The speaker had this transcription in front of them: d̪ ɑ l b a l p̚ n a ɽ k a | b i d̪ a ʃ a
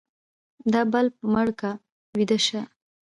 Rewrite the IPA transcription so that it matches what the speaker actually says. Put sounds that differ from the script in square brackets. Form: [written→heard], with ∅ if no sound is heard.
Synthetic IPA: d̪ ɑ [l→∅] b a l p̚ [n→m] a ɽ k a | [b→w] i d̪ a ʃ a